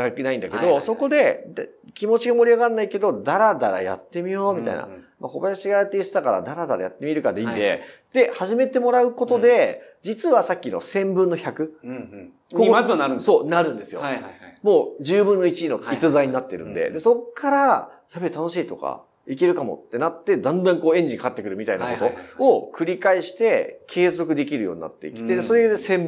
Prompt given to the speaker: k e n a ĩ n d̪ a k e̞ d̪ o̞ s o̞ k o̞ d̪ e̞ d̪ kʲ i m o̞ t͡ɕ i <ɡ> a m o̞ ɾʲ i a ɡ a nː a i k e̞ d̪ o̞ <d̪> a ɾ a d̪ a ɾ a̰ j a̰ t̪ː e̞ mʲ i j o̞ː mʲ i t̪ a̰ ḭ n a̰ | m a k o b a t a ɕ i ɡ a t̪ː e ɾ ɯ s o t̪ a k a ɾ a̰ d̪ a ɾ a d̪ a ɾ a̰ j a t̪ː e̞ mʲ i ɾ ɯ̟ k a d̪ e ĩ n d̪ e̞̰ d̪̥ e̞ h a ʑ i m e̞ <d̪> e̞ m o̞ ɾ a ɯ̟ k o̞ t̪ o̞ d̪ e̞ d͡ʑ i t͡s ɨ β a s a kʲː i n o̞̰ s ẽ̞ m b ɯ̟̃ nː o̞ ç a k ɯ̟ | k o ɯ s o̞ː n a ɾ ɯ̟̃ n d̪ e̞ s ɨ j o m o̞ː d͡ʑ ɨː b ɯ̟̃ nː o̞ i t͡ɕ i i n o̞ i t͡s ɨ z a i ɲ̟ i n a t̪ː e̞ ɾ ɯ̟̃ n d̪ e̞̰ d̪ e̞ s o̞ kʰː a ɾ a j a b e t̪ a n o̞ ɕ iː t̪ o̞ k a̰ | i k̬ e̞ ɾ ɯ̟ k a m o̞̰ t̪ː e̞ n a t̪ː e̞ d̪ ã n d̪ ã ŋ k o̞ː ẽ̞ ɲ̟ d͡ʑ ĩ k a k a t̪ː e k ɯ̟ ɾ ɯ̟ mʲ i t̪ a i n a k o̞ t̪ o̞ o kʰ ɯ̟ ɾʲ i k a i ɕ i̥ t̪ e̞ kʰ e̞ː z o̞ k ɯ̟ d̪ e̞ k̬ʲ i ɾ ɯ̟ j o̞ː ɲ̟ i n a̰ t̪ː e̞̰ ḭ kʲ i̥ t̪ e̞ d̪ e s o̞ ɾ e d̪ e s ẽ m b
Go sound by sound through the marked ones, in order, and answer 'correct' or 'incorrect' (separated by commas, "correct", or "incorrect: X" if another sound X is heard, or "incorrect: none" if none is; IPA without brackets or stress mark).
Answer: correct, correct, incorrect: t̪